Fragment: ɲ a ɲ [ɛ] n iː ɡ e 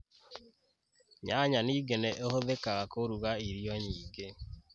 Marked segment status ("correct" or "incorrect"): incorrect